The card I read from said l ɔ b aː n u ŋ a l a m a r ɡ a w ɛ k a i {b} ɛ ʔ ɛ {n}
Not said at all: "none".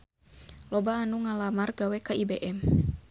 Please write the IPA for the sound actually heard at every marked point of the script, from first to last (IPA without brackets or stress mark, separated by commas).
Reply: b, m